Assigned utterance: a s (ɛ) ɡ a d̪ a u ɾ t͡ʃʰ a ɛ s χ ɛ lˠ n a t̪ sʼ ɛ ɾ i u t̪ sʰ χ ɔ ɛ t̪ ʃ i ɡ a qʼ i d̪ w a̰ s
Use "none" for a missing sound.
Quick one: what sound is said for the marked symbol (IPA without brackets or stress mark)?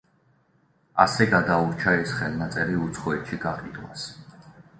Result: ɛ